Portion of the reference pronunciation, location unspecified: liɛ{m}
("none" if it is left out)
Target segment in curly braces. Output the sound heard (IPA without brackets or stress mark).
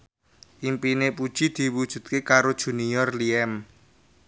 m